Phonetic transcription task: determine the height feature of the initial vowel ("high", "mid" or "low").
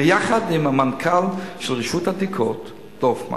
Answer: low